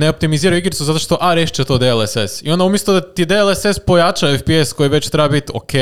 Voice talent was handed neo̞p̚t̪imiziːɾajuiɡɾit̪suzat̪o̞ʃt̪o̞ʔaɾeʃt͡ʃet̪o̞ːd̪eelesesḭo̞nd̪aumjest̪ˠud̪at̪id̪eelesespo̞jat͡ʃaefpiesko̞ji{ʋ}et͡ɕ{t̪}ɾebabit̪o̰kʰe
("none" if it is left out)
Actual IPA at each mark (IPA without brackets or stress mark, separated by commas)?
ʋ, t̪